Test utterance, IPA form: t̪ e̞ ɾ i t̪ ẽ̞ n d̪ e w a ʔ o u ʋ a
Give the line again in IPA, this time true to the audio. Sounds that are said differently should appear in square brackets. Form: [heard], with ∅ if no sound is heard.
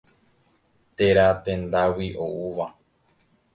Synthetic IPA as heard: t̪ e̞ ɾ [a] t̪ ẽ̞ n d̪ [a] w [i] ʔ o u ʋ a